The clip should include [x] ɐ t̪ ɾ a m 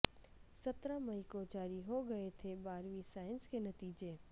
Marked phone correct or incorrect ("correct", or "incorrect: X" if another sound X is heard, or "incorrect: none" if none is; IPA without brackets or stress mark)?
incorrect: s